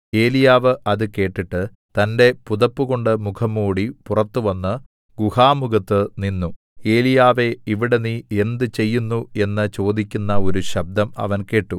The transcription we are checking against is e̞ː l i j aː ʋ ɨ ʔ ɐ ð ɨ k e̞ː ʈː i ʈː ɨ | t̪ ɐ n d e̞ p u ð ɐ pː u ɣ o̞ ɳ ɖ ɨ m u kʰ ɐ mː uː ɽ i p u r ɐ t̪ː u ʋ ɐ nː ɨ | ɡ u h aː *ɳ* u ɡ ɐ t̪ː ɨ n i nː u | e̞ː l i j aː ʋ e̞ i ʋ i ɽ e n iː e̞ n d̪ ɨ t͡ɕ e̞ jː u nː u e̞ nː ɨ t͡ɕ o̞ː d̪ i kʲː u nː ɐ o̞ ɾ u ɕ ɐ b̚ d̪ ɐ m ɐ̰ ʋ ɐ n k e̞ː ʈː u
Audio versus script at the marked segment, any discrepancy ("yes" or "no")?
yes